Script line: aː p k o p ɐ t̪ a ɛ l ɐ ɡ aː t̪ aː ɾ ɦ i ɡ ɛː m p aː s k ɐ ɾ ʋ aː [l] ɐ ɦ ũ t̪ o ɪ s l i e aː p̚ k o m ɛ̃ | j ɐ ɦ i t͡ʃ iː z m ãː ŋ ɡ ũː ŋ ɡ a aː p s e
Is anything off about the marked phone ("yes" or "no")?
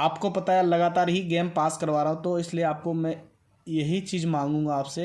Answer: yes